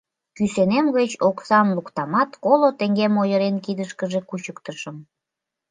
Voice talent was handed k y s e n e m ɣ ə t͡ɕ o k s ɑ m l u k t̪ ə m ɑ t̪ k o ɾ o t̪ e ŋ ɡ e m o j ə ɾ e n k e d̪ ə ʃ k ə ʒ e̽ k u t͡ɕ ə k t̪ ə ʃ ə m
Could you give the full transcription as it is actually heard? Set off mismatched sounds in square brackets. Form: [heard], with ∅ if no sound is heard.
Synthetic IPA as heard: k y s e n e m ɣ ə t͡ɕ o k s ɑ m l u k t̪ [ɑ] m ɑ t̪ k o [l] o t̪ e ŋ ɡ e m o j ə ɾ e n k [i] d̪ ə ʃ k ə ʒ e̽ k u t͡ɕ ə k t̪ ə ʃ ə m